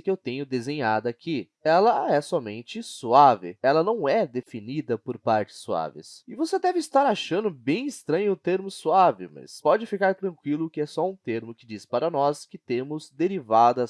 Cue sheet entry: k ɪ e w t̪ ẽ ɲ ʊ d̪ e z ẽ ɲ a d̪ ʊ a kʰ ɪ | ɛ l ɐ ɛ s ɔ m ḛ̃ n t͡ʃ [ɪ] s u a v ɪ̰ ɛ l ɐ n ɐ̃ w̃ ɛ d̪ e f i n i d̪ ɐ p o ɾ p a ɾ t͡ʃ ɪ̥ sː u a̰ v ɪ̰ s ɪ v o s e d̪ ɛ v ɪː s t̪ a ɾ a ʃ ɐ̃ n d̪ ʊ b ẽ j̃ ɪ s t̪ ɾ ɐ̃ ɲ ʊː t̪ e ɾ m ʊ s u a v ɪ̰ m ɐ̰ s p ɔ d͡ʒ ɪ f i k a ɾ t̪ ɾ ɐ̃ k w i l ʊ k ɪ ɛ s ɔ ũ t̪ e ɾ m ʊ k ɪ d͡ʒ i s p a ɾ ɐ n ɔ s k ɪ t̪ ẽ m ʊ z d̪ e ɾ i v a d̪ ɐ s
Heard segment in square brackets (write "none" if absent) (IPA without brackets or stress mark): ɪ